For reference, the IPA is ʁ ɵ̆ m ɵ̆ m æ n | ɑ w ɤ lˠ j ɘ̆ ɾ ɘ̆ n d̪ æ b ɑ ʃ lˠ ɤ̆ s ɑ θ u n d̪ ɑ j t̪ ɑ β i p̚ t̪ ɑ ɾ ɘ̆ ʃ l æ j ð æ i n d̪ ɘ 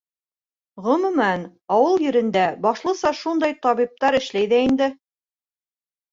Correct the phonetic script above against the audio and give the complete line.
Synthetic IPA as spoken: ʁ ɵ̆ m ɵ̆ m æ n | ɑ w ɤ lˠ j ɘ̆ ɾ ɘ̆ n d̪ æ b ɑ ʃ lˠ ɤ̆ s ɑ ʃ u n d̪ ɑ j t̪ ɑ β i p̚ t̪ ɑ ɾ ɘ̆ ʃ l æ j ð æ i n d̪ ɘ